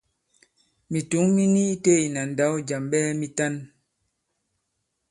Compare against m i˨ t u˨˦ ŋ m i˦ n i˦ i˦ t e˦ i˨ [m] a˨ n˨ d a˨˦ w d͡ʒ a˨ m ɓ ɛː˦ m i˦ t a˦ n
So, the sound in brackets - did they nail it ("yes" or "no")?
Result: no